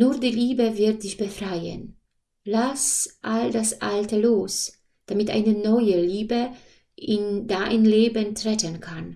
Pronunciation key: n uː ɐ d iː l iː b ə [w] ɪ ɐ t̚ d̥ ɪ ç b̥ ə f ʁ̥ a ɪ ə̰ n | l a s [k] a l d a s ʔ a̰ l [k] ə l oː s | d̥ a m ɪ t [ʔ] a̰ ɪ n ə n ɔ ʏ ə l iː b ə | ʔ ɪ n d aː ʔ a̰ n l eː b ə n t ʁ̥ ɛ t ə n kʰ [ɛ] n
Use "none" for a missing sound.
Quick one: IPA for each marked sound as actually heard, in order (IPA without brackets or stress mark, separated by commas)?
v, ʔ, t, ʔ, a